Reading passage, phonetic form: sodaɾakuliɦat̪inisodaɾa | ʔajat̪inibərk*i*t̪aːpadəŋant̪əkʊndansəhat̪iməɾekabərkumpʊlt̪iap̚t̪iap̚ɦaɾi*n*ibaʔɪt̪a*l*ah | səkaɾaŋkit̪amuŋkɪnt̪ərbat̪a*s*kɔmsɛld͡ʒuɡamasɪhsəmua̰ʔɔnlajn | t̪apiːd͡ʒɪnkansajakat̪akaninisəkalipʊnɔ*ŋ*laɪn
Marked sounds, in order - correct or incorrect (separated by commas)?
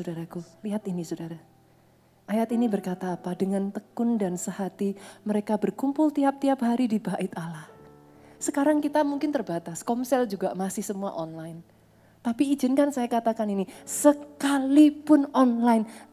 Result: incorrect, incorrect, correct, correct, incorrect